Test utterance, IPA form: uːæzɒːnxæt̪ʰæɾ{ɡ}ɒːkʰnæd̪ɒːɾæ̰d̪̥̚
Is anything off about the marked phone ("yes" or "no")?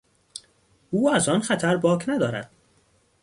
yes